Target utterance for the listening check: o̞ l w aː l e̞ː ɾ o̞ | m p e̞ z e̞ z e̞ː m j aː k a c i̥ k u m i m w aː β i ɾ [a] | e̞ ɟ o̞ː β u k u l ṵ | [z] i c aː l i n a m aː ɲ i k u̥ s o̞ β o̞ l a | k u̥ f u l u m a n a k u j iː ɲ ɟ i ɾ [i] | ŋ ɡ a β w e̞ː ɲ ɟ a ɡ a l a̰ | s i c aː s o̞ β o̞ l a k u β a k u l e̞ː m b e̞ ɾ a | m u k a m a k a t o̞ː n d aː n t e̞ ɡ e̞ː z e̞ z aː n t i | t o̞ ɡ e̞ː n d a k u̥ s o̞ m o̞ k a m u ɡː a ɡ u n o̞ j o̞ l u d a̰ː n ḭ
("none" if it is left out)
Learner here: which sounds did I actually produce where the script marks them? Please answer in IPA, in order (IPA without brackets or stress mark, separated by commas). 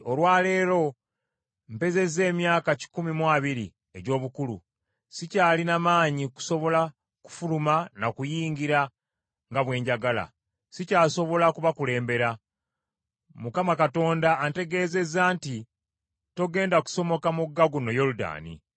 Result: i, s, a